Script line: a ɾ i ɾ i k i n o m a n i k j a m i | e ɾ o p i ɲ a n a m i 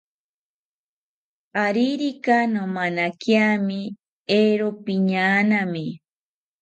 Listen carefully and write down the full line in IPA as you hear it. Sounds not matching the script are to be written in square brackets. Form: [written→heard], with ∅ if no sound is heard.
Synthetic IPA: a ɾ i ɾ i k [i→a] n o m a n [i→a] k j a m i | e ɾ o p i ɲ a n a m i